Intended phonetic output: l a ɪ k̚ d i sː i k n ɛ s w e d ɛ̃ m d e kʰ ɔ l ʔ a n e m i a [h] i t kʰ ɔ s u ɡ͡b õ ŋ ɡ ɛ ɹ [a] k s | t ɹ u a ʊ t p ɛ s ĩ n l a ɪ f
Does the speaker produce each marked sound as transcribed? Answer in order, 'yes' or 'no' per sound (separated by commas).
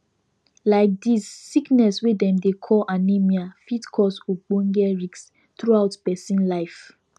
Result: no, no